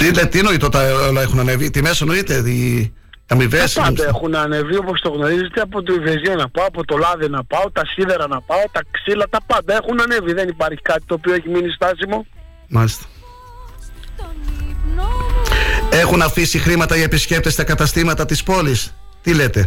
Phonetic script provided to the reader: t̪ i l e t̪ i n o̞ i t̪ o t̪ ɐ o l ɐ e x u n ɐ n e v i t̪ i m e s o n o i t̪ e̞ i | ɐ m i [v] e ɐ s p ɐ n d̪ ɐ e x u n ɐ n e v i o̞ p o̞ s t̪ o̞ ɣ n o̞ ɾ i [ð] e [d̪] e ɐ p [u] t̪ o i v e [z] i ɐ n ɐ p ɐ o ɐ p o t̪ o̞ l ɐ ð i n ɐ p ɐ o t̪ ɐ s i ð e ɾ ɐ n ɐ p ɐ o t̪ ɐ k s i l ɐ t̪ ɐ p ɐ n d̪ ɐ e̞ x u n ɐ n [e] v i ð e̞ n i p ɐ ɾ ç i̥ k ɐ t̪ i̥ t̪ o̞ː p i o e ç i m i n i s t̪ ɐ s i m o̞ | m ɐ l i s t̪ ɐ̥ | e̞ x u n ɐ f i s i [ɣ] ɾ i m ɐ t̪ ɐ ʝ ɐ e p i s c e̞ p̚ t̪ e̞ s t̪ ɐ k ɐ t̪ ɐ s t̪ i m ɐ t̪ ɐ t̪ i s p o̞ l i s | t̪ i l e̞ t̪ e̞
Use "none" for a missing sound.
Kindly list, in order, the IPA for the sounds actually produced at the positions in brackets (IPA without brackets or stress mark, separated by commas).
v, z, t̪, o, z, e, x